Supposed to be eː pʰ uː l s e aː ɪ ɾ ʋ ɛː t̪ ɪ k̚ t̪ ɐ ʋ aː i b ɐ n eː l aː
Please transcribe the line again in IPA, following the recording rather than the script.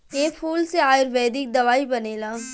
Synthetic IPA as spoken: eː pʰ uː l s e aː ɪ ɾ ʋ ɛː d̪ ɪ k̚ d̪ ɐ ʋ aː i b ɐ n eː l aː